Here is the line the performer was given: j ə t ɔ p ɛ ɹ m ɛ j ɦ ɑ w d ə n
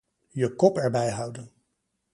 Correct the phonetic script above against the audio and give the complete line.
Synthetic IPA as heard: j ə k ɔ p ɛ ɹ b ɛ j ɦ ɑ w d ə n